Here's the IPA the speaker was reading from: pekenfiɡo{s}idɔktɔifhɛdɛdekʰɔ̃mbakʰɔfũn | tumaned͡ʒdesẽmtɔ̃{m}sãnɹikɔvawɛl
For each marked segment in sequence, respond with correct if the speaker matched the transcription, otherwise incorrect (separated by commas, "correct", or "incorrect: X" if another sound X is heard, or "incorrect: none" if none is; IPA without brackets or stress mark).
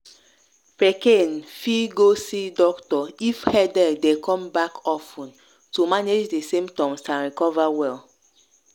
correct, correct